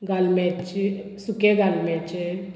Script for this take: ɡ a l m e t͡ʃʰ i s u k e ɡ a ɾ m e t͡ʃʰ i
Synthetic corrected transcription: ɡ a l m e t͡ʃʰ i s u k e ɡ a l m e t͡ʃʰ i